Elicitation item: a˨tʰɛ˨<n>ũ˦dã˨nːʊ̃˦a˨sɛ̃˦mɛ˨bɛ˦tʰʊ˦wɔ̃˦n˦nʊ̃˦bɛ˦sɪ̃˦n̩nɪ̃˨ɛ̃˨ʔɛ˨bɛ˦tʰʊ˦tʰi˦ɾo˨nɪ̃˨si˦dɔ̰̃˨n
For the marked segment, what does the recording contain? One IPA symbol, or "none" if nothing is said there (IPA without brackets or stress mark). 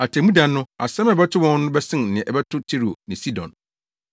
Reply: m